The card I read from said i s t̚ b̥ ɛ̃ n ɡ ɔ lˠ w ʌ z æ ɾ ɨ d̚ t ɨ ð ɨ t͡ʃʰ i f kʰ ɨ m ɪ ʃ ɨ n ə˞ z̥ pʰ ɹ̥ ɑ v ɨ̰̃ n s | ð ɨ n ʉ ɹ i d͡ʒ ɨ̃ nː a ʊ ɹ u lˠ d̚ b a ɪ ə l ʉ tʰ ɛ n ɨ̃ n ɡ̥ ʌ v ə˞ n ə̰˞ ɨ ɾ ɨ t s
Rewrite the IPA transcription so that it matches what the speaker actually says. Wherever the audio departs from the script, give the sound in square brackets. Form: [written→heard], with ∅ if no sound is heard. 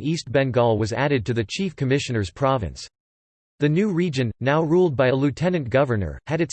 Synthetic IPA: i s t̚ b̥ ɛ̃ n ɡ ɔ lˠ w ʌ z æ ɾ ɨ d̚ t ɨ ð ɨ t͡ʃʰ i f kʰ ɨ m ɪ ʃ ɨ n ə˞ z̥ pʰ ɹ̥ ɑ v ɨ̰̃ n s | ð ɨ n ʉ ɹ i d͡ʒ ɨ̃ nː a ʊ ɹ u lˠ d̚ b a ɪ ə l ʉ tʰ ɛ n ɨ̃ n ɡ̥ ʌ v ə˞ n ə̰˞ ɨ ɾ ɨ t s